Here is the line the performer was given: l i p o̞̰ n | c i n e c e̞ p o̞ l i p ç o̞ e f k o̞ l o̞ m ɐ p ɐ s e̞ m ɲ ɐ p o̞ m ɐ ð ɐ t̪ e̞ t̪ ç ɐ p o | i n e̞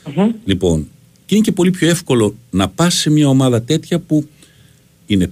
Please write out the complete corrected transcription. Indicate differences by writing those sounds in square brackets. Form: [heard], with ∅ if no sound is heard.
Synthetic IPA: l i p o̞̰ n | c i n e c e̞ p o̞ l i p ç o̞ e f k o̞ l o̞ [n] ɐ p ɐ s e̞ m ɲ ɐ [∅] o̞ m ɐ ð ɐ t̪ e̞ t̪ ç ɐ p [u] | i n e̞